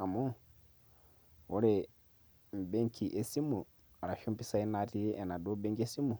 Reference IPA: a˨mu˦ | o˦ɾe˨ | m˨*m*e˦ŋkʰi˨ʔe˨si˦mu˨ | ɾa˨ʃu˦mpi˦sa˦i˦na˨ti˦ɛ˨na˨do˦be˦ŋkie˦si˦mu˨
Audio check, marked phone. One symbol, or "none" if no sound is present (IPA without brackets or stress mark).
b